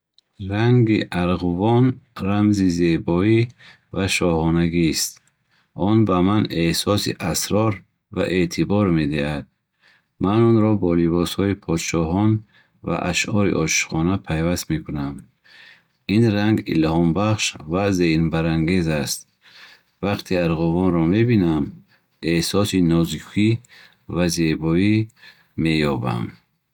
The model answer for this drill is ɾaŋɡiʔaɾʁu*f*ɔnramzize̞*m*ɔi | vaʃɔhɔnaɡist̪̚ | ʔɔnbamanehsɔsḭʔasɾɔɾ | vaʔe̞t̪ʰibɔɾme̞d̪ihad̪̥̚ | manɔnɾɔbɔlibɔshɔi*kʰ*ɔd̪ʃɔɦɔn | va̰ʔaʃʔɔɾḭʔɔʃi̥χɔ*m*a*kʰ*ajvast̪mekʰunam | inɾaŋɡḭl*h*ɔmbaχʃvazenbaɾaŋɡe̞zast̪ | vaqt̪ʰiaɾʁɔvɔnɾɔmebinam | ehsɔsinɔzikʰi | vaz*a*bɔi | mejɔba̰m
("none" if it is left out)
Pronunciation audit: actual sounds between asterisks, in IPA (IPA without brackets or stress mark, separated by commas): v, b, pʰ, n, pʰ, h, e